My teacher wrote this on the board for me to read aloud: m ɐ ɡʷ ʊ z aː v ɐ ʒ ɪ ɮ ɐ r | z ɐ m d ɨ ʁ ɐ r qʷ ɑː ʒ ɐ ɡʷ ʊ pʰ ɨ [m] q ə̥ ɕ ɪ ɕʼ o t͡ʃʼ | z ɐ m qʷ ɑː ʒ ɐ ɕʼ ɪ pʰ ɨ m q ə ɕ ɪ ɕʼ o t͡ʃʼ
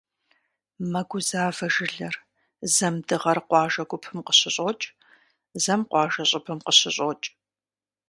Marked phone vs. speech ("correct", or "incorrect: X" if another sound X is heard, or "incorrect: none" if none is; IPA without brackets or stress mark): correct